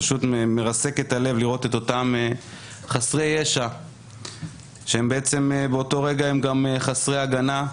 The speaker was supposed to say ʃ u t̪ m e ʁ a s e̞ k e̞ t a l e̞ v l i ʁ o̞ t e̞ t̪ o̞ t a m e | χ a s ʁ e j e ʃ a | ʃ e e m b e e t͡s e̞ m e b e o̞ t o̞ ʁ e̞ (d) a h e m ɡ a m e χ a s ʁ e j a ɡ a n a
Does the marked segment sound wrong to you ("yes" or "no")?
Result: yes